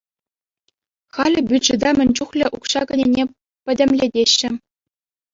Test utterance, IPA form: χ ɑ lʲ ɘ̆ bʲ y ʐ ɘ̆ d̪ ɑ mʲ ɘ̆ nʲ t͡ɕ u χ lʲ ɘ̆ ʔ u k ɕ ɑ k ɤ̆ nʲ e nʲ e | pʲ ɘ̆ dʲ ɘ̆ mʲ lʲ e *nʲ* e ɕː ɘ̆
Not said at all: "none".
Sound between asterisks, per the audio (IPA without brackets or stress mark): dʲ